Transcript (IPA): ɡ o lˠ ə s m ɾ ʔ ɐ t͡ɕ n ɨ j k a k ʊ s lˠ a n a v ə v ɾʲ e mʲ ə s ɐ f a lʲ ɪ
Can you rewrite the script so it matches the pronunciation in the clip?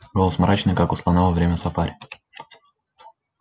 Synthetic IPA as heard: ɡ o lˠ ə s m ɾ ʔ a t͡ɕ n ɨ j k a k ʊ s lˠ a n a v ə v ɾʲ e mʲ ə s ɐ f a ɾʲ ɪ